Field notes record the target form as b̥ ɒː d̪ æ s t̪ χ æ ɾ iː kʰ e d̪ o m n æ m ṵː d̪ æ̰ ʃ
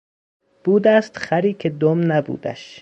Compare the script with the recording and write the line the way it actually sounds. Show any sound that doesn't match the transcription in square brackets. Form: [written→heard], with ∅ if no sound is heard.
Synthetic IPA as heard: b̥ [ɒː→uː] d̪ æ s t̪ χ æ ɾ iː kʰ e d̪ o m n æ [m→b] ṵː d̪ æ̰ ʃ

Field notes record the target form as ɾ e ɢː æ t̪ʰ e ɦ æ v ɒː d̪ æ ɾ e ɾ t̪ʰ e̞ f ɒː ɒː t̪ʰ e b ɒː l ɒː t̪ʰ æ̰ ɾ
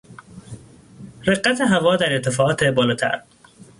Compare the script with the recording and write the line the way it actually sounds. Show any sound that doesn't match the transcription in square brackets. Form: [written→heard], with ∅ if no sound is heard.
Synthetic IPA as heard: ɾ e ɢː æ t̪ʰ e ɦ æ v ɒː d̪ æ ɾ e ɾ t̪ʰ e̞ f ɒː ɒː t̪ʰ e b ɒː l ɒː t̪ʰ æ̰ ɾ

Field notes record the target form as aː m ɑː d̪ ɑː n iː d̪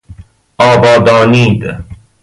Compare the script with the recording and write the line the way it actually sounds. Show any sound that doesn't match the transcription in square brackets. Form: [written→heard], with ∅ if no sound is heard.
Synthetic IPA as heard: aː [m→b] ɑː d̪ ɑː n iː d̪

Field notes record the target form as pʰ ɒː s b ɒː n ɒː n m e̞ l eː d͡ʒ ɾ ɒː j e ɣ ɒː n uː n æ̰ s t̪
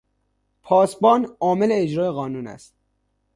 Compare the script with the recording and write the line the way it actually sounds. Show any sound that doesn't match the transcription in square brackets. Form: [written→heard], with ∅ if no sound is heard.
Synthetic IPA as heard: pʰ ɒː s b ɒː n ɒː [n→∅] m e̞ l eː d͡ʒ ɾ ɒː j e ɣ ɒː n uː n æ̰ s t̪

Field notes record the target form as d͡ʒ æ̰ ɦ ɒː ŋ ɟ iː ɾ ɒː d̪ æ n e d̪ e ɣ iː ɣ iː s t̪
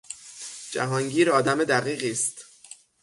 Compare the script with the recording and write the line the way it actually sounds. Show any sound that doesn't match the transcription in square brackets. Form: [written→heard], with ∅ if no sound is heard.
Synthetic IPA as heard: d͡ʒ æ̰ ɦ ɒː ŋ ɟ iː ɾ ɒː d̪ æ [n→m] e d̪ [e→æ] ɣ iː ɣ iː s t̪

